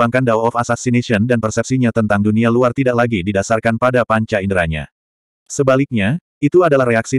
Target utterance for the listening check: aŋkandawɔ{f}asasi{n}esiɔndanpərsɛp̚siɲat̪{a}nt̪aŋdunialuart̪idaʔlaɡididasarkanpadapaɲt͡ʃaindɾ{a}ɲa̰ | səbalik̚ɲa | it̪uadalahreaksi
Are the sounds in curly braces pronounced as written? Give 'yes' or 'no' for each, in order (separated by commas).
yes, yes, no, yes